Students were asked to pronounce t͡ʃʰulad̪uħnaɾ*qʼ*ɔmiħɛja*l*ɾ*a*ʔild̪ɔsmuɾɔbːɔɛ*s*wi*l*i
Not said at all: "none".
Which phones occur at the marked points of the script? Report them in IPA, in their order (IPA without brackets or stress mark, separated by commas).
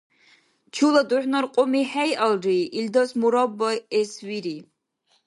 qʼ, l, i, s, ɾ